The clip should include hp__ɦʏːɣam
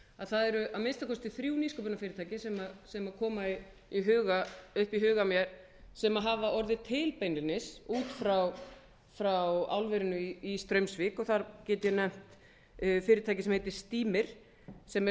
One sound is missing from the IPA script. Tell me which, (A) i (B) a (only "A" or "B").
A